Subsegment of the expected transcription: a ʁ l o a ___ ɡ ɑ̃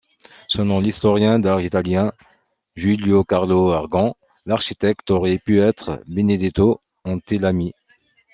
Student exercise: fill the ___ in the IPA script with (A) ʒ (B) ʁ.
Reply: B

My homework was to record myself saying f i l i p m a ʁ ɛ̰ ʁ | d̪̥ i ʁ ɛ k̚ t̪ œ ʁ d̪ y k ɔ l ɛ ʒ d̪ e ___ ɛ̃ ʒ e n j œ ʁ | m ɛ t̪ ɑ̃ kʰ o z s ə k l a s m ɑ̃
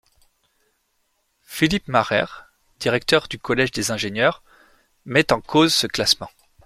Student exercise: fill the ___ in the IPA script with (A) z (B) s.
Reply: A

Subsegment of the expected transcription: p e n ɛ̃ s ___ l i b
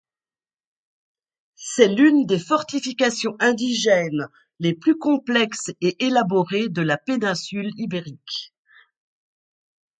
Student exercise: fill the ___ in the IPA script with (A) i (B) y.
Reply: B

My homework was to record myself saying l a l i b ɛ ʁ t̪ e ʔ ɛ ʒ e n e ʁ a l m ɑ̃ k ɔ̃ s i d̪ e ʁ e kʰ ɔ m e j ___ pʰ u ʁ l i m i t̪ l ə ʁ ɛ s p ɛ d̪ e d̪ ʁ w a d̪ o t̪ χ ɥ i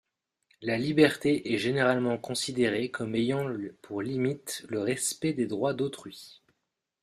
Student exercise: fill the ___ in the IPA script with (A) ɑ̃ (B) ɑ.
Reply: A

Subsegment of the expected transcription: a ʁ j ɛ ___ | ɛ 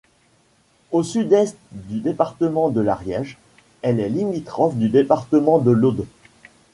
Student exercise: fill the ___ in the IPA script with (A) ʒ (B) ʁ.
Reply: A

